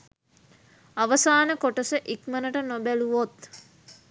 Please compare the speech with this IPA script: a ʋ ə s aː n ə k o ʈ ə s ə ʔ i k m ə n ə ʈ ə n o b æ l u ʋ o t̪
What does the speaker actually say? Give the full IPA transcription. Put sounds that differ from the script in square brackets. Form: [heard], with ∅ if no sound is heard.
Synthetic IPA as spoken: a ʋ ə s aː n ə k o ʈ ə s ə ʔ i k m ə n ə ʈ ə n o b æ l u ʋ o t̪